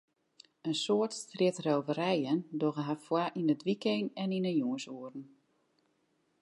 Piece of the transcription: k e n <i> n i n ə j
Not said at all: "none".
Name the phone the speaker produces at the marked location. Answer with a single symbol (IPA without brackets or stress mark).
ɛ